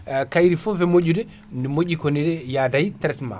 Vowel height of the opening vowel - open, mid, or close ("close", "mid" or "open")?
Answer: open